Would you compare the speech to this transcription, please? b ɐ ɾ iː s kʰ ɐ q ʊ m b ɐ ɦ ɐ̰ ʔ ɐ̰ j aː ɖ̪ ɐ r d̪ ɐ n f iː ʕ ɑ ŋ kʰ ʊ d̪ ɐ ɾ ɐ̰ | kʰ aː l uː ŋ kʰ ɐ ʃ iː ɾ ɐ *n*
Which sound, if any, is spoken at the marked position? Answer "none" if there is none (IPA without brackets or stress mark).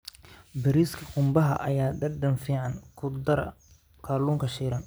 n